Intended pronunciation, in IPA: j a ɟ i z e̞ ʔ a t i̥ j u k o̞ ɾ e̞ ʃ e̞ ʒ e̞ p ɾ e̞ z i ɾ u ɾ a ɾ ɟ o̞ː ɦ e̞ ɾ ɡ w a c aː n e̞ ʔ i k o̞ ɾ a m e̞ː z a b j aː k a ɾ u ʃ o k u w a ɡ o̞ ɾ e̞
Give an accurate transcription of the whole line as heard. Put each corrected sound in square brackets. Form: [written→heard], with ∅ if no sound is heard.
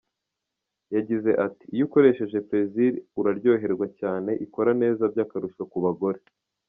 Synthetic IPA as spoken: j a ɟ i z e̞ ʔ a t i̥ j u k o̞ ɾ e̞ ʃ e̞ ʒ e̞ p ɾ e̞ z i ɾ u ɾ a ɾ ɟ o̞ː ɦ e̞ ɾ ɡ w a c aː n e̞ ʔ i k o̞ ɾ a [m→n] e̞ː z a b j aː k a ɾ u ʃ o k u [w→β] a ɡ o̞ ɾ e̞